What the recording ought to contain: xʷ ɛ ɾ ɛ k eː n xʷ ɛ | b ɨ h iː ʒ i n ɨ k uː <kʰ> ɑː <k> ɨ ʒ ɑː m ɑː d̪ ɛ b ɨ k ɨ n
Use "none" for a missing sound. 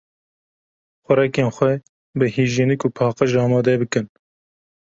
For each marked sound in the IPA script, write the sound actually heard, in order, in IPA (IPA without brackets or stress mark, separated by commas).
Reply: pʰ, q